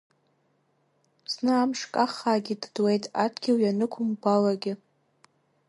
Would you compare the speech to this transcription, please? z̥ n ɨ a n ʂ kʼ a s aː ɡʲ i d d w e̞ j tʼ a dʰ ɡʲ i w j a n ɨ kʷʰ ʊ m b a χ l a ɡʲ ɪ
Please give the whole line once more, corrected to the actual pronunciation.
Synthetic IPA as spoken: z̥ n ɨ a m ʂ kʼ a χ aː ɡʲ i d d w e̞ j tʼ a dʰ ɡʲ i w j a n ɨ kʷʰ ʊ m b a l a ɡʲ ɪ

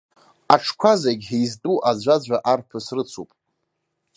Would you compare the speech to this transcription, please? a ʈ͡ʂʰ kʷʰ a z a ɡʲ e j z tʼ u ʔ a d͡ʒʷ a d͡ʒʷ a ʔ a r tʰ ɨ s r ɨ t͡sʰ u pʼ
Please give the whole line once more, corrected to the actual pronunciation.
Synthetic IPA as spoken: a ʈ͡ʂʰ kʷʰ a z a ɡʲ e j z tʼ u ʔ a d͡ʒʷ a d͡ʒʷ a ʔ a r pʰ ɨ s r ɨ t͡sʰ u pʼ

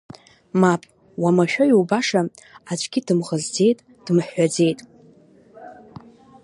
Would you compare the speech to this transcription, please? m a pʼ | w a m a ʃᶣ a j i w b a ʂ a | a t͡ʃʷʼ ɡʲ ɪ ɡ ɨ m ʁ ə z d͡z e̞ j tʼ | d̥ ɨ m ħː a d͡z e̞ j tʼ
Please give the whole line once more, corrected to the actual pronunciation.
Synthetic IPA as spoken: m a pʼ | w a m a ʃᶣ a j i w b a ʂ a | a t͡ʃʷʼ ɡʲ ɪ d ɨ m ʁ ə z d͡z e̞ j tʼ | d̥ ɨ m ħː a d͡z e̞ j tʼ

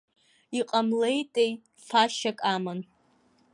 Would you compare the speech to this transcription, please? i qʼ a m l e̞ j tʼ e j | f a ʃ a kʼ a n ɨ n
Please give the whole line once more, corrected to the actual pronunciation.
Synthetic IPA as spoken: i qʼ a m l e̞ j tʼ e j | f a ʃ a kʼ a m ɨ n

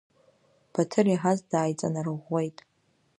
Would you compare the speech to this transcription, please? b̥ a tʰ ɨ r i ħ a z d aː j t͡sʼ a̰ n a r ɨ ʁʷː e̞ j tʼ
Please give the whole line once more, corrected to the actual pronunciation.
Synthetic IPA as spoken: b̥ a tʰ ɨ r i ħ a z d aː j t͡sʼ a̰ n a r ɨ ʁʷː e̞ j tʼ

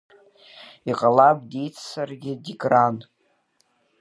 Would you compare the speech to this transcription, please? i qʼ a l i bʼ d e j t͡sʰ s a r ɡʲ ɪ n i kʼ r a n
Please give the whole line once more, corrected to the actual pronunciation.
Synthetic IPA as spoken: i qʼ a l a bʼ d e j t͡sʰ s a r ɡʲ ɪ d i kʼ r a n

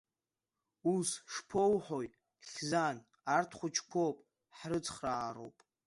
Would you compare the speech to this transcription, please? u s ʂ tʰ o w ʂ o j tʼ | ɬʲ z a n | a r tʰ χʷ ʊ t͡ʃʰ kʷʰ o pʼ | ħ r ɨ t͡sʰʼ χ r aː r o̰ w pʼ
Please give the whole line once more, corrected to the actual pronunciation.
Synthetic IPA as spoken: u s ʂ pʰ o w ħ o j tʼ | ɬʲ z a n | a r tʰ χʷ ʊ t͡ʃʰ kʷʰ o pʼ | ħ r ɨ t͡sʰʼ χ r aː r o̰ w pʼ

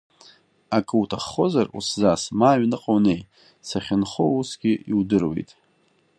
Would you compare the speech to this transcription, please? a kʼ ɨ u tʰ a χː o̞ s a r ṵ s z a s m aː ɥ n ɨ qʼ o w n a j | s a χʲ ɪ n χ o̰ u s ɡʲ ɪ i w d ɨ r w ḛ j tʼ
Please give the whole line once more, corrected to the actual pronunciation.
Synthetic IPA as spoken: a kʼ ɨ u tʰ a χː o̞ z a r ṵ s z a s m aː ɥ n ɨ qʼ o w n e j | s a χʲ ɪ n χ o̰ u s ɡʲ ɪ i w d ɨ r w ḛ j tʼ

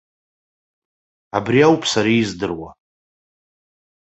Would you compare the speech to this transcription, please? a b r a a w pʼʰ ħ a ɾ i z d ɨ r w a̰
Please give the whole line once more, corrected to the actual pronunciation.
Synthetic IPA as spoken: a b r i a w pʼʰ s a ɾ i z d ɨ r w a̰

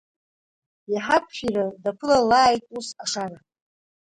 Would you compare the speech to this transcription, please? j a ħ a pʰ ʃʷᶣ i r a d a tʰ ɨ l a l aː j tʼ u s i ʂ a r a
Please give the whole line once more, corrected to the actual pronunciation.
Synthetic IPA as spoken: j a ħ a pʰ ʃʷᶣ i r a d a pʰ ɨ l a l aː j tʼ u s a ʂ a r a

